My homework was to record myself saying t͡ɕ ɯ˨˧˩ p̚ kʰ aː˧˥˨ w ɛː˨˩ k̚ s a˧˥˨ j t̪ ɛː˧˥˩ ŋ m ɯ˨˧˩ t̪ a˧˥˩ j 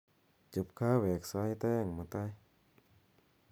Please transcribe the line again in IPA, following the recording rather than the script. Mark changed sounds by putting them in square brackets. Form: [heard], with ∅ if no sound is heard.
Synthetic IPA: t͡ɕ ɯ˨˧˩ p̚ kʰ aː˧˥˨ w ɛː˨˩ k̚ s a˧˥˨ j t̪ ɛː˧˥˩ ŋ m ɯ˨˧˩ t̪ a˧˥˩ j

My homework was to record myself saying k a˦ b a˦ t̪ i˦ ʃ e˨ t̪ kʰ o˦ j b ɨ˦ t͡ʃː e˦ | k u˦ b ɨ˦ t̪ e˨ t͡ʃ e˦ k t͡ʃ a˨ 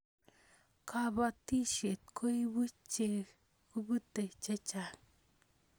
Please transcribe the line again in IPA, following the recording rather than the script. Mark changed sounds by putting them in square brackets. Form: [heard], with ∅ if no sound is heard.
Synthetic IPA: k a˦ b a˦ t̪ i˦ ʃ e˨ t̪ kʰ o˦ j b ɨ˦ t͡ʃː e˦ | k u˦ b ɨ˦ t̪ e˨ t͡ʃ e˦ [∅] t͡ʃ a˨

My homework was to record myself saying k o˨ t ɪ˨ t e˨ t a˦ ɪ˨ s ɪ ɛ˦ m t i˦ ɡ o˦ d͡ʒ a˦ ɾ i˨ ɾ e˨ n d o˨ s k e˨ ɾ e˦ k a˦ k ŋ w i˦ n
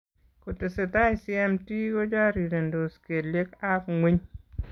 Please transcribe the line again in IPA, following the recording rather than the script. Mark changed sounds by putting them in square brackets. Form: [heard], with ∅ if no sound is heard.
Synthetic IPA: k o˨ t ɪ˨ [s] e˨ t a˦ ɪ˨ s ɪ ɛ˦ m t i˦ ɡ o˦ d͡ʒ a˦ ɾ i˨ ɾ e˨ n d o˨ s k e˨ [l] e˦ k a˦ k ŋ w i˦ [ɲ]

